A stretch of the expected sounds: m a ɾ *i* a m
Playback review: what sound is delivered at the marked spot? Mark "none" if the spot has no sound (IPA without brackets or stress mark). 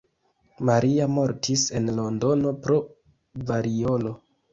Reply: i